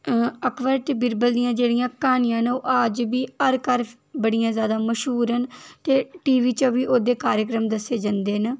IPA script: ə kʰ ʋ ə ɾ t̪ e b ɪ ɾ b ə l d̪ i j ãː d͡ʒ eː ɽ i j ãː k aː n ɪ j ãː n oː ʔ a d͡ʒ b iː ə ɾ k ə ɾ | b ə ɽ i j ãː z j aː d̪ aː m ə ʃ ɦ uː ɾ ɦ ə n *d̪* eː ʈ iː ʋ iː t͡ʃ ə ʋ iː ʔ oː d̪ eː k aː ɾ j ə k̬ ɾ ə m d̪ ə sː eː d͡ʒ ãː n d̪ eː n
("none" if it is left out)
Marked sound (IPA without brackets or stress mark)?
t̪